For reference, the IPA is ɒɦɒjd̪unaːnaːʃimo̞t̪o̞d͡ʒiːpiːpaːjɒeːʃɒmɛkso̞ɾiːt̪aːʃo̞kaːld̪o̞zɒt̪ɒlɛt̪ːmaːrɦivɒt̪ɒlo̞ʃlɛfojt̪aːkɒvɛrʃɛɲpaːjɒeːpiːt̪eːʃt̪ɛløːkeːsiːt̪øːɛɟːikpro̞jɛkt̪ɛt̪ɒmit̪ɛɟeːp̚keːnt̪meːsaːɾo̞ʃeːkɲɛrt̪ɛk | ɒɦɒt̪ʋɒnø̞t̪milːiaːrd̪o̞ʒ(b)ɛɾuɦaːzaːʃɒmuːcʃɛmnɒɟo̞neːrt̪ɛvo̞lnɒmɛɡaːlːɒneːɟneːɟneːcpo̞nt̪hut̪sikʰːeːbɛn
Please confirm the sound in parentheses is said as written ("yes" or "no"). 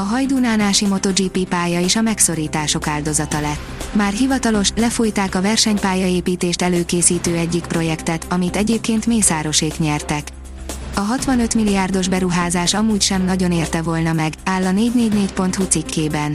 yes